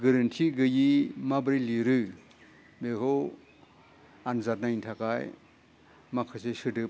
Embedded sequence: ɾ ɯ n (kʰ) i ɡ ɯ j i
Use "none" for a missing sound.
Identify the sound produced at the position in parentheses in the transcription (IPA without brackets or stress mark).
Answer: tʰ